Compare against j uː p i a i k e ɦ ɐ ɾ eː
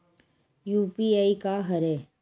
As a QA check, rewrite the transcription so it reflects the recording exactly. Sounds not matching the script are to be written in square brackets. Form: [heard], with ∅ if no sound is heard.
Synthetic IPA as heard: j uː p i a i k [a] ɦ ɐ ɾ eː